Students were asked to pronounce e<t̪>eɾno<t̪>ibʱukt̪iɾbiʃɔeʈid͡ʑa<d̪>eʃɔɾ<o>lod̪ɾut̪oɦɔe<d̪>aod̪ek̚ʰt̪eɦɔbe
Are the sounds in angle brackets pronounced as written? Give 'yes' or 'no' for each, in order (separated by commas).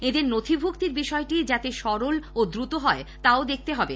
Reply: no, no, no, yes, no